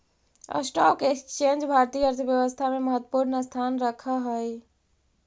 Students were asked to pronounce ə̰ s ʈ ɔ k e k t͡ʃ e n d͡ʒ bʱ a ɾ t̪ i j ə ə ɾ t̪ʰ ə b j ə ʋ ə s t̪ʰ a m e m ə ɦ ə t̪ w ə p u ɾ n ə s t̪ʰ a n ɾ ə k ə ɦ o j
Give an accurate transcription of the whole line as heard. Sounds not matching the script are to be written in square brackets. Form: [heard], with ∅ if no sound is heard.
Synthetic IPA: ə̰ s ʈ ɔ k e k t͡ʃ e n d͡ʒ bʱ a ɾ t̪ i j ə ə ɾ t̪ʰ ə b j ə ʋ ə s t̪ʰ a m e m ə ɦ ə t̪ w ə p u ɾ n ə s t̪ʰ a n ɾ ə [kʰ] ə ɦ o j